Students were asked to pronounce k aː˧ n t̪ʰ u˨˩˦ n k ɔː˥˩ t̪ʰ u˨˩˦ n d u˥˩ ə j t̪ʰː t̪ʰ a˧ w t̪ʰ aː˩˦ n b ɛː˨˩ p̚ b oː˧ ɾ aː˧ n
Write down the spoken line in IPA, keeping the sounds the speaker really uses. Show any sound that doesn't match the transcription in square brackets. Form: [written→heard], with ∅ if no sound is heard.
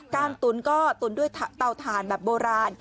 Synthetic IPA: k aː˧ n [t̪ʰ→t̪] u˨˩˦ n k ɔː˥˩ [t̪ʰ→t̪] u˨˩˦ n d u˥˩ ə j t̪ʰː [t̪ʰ→t̪] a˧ w t̪ʰ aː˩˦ n b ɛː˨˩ p̚ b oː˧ ɾ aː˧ n